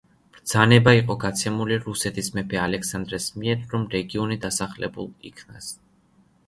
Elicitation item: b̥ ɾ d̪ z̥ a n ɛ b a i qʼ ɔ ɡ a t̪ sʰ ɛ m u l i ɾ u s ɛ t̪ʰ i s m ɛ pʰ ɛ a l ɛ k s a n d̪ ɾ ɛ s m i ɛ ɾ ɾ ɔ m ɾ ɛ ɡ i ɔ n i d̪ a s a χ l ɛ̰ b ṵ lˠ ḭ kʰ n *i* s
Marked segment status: incorrect: a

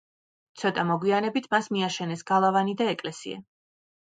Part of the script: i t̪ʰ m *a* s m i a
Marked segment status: correct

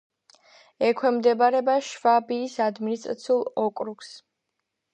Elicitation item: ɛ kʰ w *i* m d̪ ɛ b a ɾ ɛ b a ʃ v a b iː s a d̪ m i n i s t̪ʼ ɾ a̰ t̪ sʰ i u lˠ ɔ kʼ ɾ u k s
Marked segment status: incorrect: ɛ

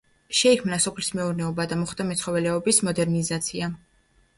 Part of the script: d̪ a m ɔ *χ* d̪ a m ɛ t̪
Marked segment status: correct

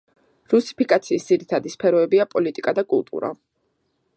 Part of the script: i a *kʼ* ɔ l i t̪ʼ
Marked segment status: incorrect: pʼ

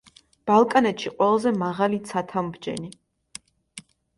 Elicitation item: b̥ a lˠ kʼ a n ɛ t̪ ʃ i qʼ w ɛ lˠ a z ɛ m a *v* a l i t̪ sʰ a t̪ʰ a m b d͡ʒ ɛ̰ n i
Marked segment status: incorrect: ʁ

